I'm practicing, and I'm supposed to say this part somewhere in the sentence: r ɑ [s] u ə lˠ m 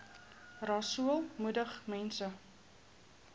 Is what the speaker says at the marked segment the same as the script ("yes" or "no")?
yes